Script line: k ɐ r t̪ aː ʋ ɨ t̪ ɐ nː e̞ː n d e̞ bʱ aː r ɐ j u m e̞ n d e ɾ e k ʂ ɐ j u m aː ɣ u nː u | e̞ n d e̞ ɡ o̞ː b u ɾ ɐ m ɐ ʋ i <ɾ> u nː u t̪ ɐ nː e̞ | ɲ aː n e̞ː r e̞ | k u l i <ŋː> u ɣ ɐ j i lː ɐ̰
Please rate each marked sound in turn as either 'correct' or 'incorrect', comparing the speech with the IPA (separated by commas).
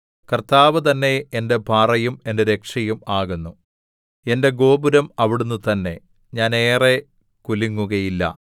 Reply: incorrect, correct